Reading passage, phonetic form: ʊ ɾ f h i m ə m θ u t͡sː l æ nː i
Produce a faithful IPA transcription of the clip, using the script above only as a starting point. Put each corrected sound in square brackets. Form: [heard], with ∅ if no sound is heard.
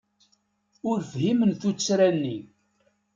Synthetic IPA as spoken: ʊ ɾ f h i m ə [n] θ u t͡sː [ɾ] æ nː i